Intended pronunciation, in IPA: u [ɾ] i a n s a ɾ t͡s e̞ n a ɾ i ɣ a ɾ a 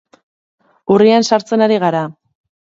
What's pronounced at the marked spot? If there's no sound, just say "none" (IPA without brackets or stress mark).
r